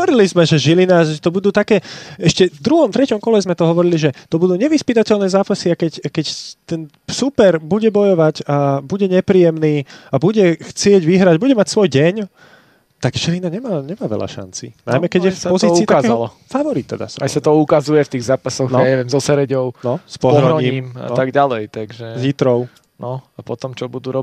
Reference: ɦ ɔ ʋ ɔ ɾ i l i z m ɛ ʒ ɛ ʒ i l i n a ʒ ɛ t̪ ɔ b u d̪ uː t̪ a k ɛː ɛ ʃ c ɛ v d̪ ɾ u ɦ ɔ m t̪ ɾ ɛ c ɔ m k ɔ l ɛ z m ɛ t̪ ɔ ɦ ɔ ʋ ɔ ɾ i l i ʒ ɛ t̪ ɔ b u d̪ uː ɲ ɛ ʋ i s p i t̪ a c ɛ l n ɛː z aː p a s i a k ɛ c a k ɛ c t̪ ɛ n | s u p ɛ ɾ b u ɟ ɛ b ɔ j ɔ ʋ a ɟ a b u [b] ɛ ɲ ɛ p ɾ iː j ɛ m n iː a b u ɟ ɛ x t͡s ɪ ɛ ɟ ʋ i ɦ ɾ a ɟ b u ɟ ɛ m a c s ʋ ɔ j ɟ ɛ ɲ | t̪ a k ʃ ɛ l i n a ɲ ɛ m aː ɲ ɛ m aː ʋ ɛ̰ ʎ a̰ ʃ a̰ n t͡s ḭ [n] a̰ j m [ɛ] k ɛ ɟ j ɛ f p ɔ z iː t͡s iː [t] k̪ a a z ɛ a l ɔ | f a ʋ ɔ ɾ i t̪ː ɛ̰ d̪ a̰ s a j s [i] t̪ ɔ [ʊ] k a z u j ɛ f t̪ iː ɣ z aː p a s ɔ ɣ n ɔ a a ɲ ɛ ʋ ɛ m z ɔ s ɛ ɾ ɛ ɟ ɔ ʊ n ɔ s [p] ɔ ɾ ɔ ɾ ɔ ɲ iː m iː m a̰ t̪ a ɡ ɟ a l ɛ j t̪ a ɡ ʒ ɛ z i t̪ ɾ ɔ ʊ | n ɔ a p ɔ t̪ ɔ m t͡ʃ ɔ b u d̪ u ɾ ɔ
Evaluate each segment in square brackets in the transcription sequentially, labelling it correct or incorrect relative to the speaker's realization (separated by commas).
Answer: incorrect, correct, correct, correct, incorrect, incorrect, correct